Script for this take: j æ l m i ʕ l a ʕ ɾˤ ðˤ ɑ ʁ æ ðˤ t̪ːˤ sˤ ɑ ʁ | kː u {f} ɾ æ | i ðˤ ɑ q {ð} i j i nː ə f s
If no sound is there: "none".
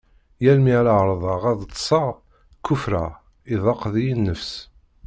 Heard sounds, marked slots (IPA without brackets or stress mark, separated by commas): f, ð